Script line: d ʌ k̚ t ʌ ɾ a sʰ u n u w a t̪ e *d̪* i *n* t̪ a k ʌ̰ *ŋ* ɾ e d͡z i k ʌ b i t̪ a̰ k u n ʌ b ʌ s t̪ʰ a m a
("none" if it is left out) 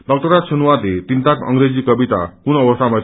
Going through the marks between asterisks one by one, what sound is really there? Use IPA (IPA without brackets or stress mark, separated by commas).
t̪, n, ŋ